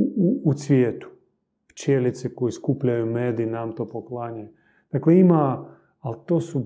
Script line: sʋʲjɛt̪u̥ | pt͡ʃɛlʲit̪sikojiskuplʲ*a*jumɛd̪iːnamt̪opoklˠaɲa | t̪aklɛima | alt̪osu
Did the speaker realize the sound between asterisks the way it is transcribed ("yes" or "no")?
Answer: yes